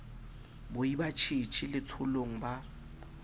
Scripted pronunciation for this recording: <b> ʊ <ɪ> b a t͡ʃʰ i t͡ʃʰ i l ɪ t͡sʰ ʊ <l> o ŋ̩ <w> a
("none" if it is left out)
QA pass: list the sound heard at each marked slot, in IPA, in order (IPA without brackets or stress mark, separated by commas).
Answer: b, i, l, b